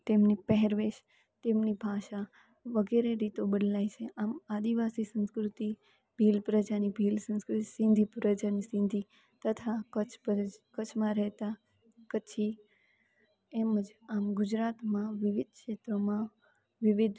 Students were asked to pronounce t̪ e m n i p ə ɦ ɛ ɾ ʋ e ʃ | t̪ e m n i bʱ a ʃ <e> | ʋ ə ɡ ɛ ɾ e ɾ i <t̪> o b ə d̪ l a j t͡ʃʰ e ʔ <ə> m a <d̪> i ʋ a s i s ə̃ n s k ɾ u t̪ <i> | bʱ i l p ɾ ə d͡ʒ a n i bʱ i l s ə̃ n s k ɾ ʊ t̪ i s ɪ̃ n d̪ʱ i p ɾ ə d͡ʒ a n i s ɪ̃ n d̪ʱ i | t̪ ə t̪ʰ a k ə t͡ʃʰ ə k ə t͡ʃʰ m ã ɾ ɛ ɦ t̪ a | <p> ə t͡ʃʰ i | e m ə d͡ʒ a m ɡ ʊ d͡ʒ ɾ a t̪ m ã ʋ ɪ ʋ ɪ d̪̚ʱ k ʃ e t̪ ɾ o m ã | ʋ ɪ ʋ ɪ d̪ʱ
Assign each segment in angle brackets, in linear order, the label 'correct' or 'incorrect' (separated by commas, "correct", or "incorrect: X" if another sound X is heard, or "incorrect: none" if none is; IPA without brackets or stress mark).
incorrect: a, correct, incorrect: a, correct, correct, incorrect: k